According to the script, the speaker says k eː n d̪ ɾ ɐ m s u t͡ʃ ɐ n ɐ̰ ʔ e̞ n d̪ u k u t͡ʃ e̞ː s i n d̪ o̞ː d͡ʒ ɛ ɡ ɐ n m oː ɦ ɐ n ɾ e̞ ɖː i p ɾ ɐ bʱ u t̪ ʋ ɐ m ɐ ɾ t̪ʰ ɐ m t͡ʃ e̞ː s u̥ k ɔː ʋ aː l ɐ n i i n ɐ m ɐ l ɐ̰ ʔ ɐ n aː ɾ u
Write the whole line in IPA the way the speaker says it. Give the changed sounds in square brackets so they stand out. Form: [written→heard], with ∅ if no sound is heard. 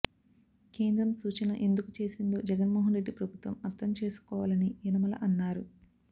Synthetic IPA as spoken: k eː n d̪ ɾ ɐ m s [u→uː] t͡ʃ ɐ n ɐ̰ ʔ e̞ n d̪ u k u t͡ʃ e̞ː s i n d̪ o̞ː d͡ʒ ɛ ɡ ɐ n m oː ɦ ɐ n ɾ e̞ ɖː i p ɾ ɐ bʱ u t̪ ʋ ɐ m ɐ ɾ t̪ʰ ɐ m t͡ʃ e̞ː s u̥ k ɔː ʋ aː l ɐ n i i n ɐ m ɐ l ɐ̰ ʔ ɐ [n→nː] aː ɾ u